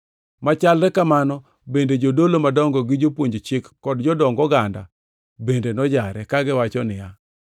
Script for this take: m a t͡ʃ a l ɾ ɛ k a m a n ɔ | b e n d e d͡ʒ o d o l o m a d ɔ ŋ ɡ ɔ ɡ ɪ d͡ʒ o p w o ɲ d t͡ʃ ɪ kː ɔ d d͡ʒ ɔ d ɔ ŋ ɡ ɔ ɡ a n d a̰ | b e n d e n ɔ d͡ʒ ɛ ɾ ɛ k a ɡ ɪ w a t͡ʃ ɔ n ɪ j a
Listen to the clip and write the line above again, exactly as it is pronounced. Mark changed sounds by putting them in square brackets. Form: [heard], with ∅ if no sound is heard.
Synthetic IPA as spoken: m a t͡ʃ a l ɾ ɛ k a m a n ɔ | b e n d e d͡ʒ o d o l o m a d ɔ ŋ ɡ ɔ ɡ ɪ d͡ʒ o p w o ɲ [d͡ʒ] t͡ʃ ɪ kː ɔ d d͡ʒ ɔ d ɔ ŋ ɡ ɔ ɡ a n d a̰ | b e n d e n ɔ d͡ʒ [a] ɾ ɛ k a ɡ ɪ w a t͡ʃ ɔ n ɪ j a